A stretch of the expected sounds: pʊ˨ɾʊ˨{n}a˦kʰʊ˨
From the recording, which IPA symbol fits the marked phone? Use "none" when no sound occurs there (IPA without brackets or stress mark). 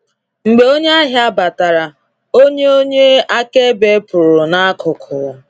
n